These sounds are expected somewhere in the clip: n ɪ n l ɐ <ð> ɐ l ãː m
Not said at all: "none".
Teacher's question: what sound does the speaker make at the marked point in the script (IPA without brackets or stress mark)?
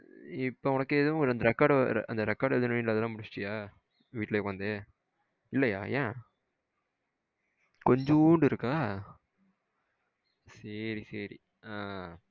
ð